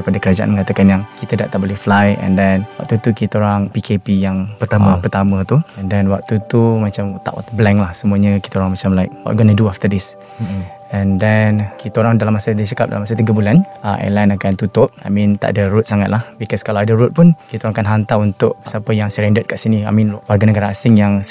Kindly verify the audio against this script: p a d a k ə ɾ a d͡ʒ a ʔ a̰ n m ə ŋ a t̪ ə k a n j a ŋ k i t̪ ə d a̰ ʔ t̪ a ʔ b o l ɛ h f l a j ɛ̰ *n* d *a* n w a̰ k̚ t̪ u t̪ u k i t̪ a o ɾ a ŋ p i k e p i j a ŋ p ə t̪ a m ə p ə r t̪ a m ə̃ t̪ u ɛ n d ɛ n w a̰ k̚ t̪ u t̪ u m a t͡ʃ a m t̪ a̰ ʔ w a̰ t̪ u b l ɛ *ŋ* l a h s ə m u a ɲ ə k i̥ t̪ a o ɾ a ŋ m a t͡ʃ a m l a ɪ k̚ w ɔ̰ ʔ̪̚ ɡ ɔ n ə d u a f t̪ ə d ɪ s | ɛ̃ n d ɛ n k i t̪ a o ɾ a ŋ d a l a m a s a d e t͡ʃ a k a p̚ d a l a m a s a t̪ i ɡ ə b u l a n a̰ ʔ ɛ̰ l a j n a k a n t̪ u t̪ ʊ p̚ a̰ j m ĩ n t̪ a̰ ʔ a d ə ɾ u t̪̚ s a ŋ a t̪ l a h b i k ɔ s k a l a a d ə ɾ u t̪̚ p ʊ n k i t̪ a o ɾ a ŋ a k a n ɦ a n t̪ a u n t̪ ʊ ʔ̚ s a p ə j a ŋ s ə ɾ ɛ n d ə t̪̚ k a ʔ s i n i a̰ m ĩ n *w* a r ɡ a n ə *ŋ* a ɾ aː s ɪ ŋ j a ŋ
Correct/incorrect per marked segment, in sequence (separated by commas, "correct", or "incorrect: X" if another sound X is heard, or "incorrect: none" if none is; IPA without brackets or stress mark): correct, incorrect: ɛ, correct, correct, incorrect: ɡ